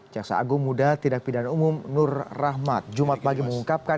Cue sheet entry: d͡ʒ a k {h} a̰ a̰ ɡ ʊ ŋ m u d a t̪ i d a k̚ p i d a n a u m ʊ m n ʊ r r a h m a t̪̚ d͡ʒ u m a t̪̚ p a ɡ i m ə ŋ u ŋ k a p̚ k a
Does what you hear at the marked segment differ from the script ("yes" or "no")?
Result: yes